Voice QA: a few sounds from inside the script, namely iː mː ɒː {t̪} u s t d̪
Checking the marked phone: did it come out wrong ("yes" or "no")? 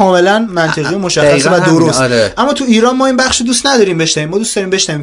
yes